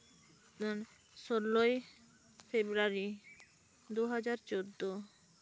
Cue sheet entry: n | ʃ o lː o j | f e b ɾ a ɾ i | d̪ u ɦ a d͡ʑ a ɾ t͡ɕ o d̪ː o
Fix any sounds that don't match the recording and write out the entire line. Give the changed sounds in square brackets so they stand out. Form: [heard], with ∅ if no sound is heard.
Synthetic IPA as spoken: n | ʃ o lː o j | f e b ɾ a ɾ i | d̪ u ɦ a d͡ʑ a ɾ t͡ɕ o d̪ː o